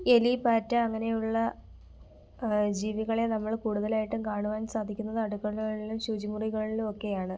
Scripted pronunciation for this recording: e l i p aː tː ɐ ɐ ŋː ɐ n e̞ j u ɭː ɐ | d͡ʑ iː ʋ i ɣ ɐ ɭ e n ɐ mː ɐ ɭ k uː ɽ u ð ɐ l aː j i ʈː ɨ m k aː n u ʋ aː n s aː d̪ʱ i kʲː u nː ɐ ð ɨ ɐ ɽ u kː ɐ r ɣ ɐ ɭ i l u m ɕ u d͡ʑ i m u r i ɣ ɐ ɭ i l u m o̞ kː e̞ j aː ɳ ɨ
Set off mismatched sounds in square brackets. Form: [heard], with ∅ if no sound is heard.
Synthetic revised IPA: e l i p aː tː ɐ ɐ ŋː ɐ n e̞ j u ɭː ɐ | d͡ʑ iː ʋ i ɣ ɐ ɭ e n ɐ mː ɐ ɭ k uː ɽ u ð ɐ l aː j i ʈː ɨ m k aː [ɳ] u ʋ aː n s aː d̪ʱ i kʲː u nː ɐ ð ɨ ɐ ɽ u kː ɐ [ɭ] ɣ ɐ ɭ i l u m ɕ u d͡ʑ i m u r i ɣ ɐ ɭ i l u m o̞ kː e̞ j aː ɳ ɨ